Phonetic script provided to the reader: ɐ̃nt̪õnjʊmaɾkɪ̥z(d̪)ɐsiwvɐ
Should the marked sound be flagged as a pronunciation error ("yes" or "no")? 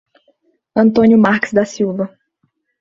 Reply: no